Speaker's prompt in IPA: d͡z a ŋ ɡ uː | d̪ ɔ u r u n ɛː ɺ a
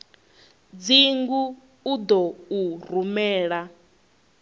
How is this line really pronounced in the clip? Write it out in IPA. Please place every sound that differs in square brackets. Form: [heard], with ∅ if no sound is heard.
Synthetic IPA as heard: d͡z [i] ŋ ɡ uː | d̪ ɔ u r u [m] ɛː ɺ a